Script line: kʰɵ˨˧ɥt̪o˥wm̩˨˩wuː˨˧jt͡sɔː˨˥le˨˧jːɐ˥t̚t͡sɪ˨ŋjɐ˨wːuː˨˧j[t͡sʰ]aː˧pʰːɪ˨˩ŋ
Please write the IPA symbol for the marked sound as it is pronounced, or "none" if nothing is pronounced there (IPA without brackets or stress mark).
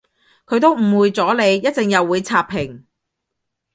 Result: t͡sʰ